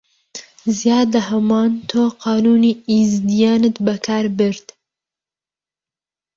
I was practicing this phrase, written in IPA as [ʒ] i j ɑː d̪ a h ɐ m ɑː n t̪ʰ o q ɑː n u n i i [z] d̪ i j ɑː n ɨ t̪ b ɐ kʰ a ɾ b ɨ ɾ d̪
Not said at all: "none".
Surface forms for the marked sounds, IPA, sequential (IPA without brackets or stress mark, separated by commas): z, z